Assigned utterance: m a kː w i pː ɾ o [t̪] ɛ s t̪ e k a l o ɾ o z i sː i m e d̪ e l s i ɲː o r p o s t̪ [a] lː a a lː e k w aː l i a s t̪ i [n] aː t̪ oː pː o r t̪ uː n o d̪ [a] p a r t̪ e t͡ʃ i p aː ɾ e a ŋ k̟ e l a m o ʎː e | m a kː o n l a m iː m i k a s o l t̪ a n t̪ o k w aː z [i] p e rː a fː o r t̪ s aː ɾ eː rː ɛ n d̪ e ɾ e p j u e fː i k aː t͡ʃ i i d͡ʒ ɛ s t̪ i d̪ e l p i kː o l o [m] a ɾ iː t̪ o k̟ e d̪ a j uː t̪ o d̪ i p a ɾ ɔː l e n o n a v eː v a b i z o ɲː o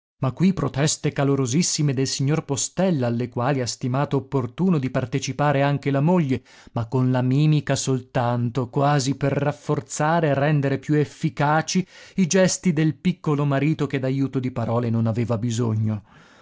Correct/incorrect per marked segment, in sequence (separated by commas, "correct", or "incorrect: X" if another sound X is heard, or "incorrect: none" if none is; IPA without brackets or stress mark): correct, incorrect: ɛ, incorrect: m, incorrect: i, correct, correct